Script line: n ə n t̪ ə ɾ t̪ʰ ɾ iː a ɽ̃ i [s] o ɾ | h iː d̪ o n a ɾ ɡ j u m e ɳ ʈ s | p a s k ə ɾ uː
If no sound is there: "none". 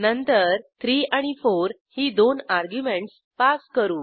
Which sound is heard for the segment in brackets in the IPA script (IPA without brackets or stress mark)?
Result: f